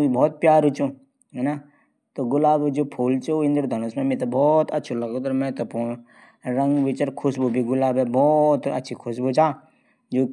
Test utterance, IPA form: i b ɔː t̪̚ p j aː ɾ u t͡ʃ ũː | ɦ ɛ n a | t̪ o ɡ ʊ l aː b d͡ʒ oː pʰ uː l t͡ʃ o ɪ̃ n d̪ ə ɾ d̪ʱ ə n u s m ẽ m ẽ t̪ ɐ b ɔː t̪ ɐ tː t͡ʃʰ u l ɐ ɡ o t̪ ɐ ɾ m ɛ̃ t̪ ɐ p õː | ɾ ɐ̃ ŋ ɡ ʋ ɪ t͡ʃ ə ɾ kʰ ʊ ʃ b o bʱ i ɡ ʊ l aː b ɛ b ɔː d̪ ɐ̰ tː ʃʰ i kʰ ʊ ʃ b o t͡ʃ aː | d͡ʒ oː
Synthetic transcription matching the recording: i b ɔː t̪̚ p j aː ɾ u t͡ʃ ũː | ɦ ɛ n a | t̪ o ɡ ʊ l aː b d͡ʒ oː pʰ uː l t͡ʃ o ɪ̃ n d̪ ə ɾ d̪ʱ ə n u s m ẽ m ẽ t̪ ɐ b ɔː t̪ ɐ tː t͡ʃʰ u l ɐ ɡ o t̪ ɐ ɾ m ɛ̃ t̪ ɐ p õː | ɾ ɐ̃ ŋ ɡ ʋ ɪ t͡ʃ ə ɾ kʰ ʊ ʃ b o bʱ i ɡ ʊ l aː b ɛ b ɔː t̪ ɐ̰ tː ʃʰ i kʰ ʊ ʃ b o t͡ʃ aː | d͡ʒ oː